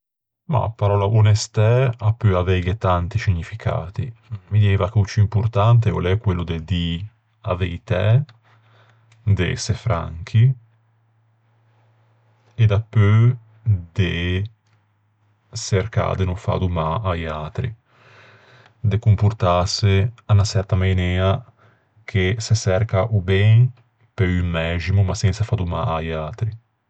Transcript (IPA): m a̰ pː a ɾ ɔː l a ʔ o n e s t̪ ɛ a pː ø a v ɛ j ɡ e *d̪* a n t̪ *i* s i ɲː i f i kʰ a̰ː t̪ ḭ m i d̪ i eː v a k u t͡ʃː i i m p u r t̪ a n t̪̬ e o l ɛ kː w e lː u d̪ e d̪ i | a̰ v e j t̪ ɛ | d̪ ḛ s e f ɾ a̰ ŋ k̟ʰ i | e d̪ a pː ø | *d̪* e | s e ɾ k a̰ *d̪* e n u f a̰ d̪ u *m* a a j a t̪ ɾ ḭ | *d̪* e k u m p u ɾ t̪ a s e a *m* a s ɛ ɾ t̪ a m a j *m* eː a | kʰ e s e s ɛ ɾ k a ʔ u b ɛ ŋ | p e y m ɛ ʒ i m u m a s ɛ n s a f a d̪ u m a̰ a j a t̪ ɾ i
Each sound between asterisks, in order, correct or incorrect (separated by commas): incorrect, correct, correct, correct, correct, correct, incorrect, incorrect